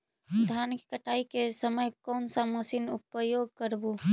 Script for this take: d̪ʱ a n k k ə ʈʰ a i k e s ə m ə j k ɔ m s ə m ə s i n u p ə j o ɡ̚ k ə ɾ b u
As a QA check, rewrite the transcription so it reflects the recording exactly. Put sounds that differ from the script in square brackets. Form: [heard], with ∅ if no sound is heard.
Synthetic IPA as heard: d̪ʱ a n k k ə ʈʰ a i k e s ə m ə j k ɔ [n] s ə m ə s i n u p ə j o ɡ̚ k ə ɾ b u